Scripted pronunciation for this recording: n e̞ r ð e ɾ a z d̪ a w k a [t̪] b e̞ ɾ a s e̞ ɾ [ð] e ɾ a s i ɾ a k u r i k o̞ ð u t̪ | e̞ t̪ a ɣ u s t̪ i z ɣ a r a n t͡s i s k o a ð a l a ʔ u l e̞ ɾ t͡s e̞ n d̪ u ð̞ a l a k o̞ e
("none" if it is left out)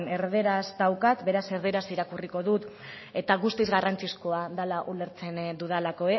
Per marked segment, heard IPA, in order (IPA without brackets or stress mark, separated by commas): t̪, ð